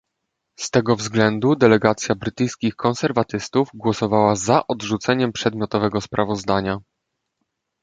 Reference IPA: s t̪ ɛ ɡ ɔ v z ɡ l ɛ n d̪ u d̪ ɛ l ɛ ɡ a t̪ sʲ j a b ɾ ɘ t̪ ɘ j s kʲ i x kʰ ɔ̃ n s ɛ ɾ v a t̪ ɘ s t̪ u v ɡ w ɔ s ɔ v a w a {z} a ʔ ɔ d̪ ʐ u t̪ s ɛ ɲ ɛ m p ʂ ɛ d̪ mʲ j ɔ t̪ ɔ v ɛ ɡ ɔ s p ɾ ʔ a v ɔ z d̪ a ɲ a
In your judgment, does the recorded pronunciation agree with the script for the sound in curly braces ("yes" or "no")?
yes